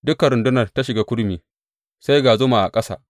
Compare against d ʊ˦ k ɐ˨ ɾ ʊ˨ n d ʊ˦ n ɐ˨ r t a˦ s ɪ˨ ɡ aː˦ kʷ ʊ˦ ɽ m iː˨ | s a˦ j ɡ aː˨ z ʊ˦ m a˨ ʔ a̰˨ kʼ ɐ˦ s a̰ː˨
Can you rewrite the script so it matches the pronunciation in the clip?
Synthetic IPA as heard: d ʊ˦ k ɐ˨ ɾ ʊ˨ n d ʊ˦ n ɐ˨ r t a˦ ʃ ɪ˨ ɡ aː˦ kʷ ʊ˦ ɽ m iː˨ | s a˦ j ɡ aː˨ z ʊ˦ m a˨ ʔ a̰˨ kʼ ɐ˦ s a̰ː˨